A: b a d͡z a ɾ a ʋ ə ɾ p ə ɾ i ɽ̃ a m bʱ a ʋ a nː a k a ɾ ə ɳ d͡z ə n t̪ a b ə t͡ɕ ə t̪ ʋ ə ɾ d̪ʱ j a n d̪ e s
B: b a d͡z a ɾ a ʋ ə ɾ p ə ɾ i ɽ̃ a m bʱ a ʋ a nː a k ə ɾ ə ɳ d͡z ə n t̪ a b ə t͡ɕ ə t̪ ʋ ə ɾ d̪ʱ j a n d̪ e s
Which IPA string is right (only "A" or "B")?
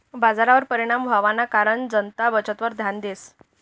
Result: A